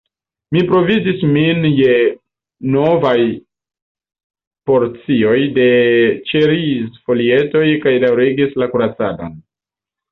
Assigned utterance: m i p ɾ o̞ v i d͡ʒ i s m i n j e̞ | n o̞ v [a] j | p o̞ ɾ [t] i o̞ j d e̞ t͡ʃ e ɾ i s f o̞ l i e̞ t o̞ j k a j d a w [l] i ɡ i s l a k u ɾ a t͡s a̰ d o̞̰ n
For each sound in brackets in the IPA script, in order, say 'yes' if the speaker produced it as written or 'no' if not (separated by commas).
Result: yes, no, no